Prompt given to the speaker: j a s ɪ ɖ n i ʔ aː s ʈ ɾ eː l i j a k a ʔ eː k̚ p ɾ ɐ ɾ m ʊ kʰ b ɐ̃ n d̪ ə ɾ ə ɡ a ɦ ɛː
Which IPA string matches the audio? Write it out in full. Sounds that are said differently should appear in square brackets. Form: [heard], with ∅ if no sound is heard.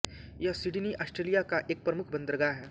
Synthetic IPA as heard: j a s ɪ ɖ n i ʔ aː s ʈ ɾ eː l i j a k a ʔ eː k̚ p ɾ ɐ [∅] m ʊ kʰ b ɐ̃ n d̪ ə ɾ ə ɡ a ɦ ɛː